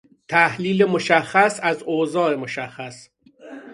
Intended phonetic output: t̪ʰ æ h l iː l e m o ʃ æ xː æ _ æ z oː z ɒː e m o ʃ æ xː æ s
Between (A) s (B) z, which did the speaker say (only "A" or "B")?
A